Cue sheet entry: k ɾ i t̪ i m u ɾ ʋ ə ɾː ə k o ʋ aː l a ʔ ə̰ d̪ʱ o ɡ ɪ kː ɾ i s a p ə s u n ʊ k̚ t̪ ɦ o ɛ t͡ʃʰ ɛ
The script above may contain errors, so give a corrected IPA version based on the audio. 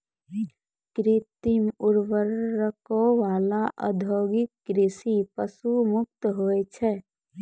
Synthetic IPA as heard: k ɾ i t̪ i m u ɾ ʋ ə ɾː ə k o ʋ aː l a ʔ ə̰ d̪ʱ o ɡ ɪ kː ɾ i s i p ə s u m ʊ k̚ t̪ ɦ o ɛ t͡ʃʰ ɛ